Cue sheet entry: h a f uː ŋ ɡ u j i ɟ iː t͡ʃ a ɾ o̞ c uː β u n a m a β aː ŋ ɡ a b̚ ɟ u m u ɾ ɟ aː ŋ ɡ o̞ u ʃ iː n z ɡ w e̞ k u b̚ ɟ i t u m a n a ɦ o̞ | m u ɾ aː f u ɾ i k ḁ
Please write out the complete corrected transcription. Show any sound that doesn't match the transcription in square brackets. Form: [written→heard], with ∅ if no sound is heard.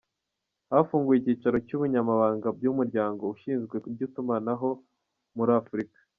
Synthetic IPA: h a f uː ŋ ɡ u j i [ɟ→c] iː t͡ʃ a ɾ o̞ c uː β u [n→ɲ] a m a β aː ŋ ɡ a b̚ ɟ u m u ɾ ɟ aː ŋ ɡ o̞ u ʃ iː n z ɡ w e̞ k u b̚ ɟ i t u m a n a ɦ o̞ | m u ɾ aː f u ɾ i k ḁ